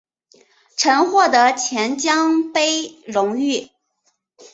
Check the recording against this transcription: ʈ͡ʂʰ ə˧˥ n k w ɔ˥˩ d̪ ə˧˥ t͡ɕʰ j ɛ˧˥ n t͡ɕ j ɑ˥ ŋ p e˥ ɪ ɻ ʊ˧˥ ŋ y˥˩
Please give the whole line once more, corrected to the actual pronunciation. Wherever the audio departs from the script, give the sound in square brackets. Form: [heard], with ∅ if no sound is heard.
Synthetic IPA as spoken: ʈ͡ʂʰ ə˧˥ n [x] w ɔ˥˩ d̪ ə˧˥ t͡ɕʰ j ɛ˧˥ n t͡ɕ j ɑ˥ ŋ p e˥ ɪ ɻ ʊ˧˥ ŋ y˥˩